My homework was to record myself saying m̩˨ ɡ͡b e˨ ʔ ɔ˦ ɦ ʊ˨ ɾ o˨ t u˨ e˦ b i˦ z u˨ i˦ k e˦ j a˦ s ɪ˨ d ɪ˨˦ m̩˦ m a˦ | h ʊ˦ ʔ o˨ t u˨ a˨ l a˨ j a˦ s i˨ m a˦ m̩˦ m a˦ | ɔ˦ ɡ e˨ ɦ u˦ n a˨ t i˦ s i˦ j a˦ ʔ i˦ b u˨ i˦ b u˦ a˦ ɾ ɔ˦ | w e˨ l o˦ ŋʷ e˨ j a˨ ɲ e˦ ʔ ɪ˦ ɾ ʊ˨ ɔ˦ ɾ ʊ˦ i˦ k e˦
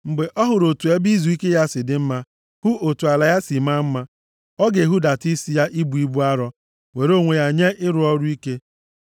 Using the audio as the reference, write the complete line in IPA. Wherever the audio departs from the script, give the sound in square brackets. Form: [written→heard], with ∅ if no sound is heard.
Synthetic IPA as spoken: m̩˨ ɡ͡b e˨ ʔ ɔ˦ ɦ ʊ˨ ɾ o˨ t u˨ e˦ b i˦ z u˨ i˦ k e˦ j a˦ s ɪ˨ d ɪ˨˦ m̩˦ m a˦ | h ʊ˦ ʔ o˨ t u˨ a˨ l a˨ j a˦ s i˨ m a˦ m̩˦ m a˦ | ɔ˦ ɡ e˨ ɦ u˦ [n→d] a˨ t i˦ s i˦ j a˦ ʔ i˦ b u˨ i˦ b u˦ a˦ ɾ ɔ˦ | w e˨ [l→ɾ] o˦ ŋʷ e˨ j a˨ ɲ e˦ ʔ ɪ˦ ɾ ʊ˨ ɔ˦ ɾ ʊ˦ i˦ k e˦